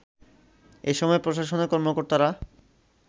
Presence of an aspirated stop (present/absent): absent